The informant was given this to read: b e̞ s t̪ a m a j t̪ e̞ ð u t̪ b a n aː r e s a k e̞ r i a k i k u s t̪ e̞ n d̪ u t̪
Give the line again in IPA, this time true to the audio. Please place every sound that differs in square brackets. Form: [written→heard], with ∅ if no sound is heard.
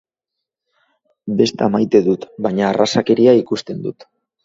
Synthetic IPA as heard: b e̞ s t̪ a m a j t̪ e̞ ð u t̪ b a [n→ɲ] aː r [e→a] s a k e̞ [r→ɾ] i a [k→∅] i k u s t̪ e̞ n d̪ u t̪